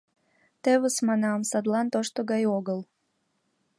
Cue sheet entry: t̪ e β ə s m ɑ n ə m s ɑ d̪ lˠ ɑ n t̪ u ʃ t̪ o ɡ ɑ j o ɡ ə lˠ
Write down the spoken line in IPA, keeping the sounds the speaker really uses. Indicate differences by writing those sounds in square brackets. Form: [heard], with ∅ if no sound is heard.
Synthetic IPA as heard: t̪ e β ə s m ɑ n [ɑ] m s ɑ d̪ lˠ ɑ n t̪ [o] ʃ t̪ o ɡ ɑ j o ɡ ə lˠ